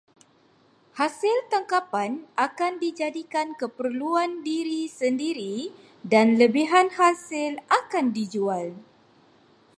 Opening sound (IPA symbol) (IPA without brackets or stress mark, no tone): h